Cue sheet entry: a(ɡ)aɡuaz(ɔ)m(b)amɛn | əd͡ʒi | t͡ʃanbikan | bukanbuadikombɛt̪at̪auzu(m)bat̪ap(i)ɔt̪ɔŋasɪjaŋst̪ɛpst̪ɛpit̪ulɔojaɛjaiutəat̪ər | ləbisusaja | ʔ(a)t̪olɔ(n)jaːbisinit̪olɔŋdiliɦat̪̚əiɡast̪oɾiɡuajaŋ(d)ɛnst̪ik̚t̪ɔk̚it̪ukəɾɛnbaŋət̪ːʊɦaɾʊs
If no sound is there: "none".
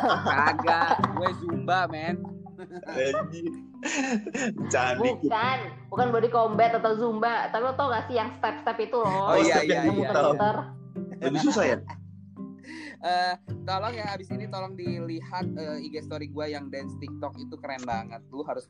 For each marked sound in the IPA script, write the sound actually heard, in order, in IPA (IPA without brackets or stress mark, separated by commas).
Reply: ɡ, u, b, m, i, ə, ŋ, d